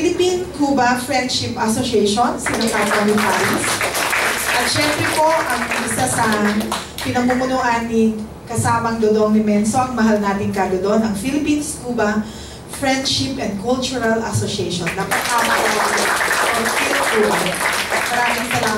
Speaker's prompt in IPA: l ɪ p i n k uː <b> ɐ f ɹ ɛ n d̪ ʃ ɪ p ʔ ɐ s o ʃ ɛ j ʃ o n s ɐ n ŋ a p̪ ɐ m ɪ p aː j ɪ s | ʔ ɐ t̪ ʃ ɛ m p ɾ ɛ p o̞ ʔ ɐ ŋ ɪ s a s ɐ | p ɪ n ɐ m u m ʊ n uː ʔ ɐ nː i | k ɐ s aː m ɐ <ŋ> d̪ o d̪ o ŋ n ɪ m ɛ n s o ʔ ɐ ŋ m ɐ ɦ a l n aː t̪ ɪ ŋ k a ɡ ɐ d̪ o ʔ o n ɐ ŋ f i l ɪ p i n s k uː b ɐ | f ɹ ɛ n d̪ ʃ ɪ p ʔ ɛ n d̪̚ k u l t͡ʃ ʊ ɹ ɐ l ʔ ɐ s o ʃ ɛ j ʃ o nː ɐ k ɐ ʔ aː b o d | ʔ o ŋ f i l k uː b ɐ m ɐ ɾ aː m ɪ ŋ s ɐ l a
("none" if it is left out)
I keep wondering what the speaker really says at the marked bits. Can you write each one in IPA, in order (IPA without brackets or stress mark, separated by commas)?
b, ŋ